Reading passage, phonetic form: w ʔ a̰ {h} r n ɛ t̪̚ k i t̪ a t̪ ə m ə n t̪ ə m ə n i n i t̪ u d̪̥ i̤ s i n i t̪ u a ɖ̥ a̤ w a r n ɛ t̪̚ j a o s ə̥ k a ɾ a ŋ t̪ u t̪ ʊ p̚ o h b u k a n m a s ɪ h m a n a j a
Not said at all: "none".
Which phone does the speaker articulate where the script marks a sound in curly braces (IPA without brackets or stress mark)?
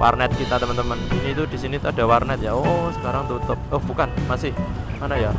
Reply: none